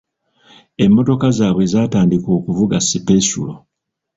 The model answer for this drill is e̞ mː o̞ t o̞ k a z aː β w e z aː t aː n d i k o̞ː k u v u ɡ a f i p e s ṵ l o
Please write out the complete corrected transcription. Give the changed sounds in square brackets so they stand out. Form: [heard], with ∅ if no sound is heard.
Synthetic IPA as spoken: e̞ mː o̞ t o̞ k a z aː β w e z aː t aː n d i k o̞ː k u v u ɡ a [s] i p e s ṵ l o